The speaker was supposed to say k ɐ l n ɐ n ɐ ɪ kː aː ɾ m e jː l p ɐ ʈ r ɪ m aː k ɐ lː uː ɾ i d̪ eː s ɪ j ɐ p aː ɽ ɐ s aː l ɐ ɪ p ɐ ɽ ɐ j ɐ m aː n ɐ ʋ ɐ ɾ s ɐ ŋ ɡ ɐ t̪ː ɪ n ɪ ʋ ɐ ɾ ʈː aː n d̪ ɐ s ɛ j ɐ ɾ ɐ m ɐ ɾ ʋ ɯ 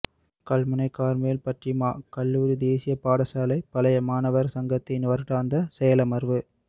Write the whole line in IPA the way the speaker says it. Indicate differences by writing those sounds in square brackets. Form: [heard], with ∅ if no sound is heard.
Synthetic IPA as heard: k ɐ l [m] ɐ n ɐ ɪ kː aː ɾ m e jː l p ɐ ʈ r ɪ m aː k ɐ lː uː ɾ i d̪ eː s ɪ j ɐ p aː ɽ ɐ s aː l ɐ ɪ p ɐ [l] ɐ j ɐ m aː n ɐ ʋ ɐ ɾ s ɐ ŋ ɡ ɐ t̪ː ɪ n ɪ ʋ ɐ ɾ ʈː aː n d̪ ɐ s ɛ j ɐ [l] ɐ m ɐ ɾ ʋ ɯ